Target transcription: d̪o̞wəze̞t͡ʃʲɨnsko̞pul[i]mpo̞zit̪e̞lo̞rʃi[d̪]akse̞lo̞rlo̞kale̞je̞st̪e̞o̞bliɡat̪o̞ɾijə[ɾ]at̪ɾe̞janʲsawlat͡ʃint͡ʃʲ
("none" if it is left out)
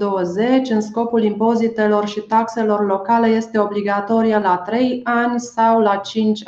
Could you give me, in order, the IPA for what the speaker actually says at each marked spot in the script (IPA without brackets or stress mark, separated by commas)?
i, t̪, l